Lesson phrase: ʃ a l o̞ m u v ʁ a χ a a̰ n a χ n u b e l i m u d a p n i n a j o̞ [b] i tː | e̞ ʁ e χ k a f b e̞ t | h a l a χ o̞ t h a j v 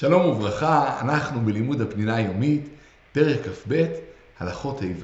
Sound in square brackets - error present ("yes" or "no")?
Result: yes